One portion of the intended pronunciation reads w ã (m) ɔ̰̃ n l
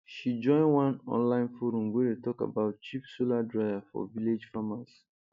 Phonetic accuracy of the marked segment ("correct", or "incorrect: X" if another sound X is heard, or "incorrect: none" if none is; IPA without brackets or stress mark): incorrect: n